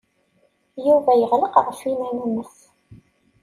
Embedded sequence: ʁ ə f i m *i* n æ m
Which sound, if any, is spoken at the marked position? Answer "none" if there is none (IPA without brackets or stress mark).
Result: æ